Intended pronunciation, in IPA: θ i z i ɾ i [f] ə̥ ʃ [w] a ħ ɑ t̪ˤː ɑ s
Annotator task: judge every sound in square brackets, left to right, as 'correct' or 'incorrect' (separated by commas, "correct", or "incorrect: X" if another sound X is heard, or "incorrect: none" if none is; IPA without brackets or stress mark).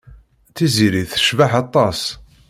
incorrect: θ, incorrect: v